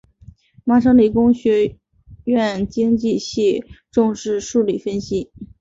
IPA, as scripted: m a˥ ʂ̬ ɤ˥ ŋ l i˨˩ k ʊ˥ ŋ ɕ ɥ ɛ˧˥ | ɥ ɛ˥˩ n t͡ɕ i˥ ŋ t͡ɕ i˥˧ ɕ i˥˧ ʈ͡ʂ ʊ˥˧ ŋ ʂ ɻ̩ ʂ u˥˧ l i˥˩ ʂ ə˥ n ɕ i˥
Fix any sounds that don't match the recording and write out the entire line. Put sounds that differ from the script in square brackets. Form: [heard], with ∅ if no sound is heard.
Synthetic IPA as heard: m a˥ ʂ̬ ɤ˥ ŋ l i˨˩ k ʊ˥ ŋ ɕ ɥ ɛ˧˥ | ɥ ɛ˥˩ n t͡ɕ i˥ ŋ t͡ɕ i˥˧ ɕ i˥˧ ʈ͡ʂ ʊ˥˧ ŋ ʂ ɻ̩ ʂ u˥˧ l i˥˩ [f] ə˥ n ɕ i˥

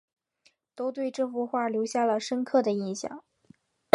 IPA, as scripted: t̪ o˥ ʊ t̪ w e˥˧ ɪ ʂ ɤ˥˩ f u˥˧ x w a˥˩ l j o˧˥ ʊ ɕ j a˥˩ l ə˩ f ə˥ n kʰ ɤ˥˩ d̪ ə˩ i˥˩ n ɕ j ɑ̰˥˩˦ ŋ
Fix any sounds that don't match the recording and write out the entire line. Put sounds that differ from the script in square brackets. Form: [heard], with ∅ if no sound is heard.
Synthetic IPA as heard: t̪ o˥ ʊ t̪ w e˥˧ ɪ [ʈ͡ʂ] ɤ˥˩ f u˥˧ x w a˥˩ l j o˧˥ ʊ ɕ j a˥˩ l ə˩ [ʂ] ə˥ n kʰ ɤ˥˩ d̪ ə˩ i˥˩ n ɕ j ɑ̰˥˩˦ ŋ

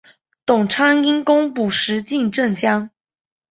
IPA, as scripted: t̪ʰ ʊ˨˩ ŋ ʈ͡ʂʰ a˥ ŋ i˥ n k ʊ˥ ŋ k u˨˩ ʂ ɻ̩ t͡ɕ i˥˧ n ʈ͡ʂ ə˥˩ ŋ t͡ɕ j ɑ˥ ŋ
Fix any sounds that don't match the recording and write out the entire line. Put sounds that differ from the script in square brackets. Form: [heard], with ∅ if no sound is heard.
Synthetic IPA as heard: [t̪] ʊ˨˩ ŋ ʈ͡ʂʰ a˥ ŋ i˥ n k ʊ˥ ŋ [p] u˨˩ ʂ ɻ̩ t͡ɕ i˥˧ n ʈ͡ʂ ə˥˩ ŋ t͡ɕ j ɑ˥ ŋ

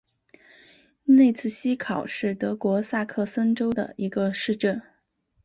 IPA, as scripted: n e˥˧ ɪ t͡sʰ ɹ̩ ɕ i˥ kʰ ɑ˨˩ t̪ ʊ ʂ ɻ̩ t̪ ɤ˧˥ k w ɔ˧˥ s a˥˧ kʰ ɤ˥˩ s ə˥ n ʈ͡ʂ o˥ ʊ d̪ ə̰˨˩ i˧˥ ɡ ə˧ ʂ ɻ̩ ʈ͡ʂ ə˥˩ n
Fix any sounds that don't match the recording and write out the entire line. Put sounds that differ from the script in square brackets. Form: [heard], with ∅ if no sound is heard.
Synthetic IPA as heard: n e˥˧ ɪ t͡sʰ ɹ̩ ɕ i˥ kʰ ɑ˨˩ [∅] ʊ ʂ ɻ̩ t̪ ɤ˧˥ k w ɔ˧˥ s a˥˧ kʰ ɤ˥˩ s ə˥ n ʈ͡ʂ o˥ ʊ d̪ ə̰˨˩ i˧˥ ɡ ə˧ ʂ ɻ̩ ʈ͡ʂ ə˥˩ n

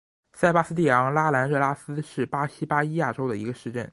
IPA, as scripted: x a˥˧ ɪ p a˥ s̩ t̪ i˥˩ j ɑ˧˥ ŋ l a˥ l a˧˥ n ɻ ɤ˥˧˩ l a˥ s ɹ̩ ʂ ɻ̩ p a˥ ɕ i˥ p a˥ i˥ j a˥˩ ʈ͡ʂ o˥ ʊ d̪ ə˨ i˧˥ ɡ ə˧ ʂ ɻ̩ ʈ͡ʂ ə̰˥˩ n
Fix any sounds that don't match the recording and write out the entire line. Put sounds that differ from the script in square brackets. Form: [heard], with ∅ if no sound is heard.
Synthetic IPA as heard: [s] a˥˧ ɪ p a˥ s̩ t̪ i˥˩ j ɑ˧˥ ŋ l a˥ l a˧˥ n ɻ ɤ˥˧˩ l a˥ s ɹ̩ ʂ ɻ̩ p a˥ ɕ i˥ p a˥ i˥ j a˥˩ ʈ͡ʂ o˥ ʊ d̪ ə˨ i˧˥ ɡ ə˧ ʂ ɻ̩ ʈ͡ʂ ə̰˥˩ n

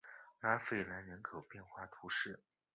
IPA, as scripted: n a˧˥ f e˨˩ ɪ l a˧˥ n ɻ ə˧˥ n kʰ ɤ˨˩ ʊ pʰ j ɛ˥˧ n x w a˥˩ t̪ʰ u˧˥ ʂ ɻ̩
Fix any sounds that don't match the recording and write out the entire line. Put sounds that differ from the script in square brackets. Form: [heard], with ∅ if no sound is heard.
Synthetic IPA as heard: n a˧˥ f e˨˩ ɪ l a˧˥ n ɻ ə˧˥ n kʰ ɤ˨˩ ʊ [p] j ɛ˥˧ n x w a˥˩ t̪ʰ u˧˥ ʂ ɻ̩

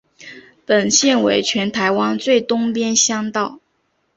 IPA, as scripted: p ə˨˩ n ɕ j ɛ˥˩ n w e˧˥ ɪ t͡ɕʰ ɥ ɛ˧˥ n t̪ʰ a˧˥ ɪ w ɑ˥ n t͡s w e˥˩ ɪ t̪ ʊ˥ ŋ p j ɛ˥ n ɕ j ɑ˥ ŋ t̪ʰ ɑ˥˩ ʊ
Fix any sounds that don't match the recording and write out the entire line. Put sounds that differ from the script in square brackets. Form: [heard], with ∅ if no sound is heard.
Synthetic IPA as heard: p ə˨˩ n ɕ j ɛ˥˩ n w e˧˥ ɪ t͡ɕʰ ɥ ɛ˧˥ n t̪ʰ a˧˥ ɪ w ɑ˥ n t͡s w e˥˩ ɪ t̪ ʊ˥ ŋ p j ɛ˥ n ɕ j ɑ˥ ŋ [t̪] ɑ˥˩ ʊ

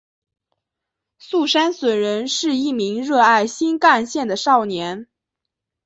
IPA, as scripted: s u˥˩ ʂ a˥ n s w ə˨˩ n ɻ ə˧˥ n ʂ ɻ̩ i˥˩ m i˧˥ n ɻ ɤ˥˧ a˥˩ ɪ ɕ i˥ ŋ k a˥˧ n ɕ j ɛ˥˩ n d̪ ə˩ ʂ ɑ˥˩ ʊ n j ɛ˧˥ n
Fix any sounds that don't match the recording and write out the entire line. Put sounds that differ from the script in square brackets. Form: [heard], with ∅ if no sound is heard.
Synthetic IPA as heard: s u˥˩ ʂ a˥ n s w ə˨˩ n ɻ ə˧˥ n ʂ ɻ̩ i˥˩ m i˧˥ [ŋ] ɻ ɤ˥˧ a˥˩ ɪ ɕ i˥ [n] k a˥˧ n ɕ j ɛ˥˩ n d̪ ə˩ ʂ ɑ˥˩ ʊ n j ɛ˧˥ n

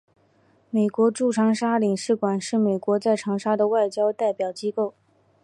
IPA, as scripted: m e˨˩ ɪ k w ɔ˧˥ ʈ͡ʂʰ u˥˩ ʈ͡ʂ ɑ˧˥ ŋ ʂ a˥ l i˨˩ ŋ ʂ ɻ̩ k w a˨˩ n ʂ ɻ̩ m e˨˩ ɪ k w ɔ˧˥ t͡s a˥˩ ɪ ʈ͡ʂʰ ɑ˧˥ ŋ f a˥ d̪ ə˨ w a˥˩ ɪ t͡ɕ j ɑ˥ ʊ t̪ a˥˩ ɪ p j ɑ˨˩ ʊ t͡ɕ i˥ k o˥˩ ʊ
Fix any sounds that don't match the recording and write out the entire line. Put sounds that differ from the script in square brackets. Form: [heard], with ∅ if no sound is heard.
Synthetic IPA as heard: m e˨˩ ɪ k w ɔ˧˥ [ʈ͡ʂ] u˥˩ [ʈ͡ʂʰ] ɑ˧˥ ŋ ʂ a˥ l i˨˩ ŋ ʂ ɻ̩ k w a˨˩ n ʂ ɻ̩ m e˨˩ ɪ k w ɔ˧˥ t͡s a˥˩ ɪ ʈ͡ʂʰ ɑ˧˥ ŋ [ʂ] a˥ d̪ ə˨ w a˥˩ ɪ t͡ɕ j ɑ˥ ʊ t̪ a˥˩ ɪ p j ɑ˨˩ ʊ t͡ɕ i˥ k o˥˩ ʊ

